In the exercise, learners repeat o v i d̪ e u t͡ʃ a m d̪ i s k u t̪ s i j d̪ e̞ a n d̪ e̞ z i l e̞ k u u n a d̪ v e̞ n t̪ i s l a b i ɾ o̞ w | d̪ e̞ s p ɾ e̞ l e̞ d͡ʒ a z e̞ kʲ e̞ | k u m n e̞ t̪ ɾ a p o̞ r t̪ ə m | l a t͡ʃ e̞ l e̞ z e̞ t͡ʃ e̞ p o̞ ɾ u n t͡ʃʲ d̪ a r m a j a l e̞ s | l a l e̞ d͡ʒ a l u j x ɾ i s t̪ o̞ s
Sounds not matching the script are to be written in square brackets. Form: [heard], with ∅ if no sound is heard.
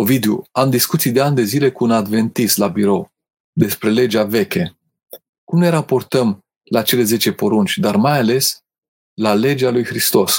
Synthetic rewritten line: o v i d̪ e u [∅] a m d̪ i s k u t̪ s i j d̪ e̞ a n d̪ e̞ z i l e̞ k u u n a d̪ v e̞ n t̪ i s l a b i ɾ o̞ w | d̪ e̞ s p ɾ e̞ l e̞ d͡ʒ a [v] e̞ kʲ e̞ | k u m n e̞ [∅] ɾ a p o̞ r t̪ ə m | l a t͡ʃ e̞ l e̞ z e̞ t͡ʃ e̞ p o̞ ɾ u n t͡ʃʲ d̪ a r m a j a l e̞ s | l a l e̞ d͡ʒ a l u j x ɾ i s t̪ o̞ s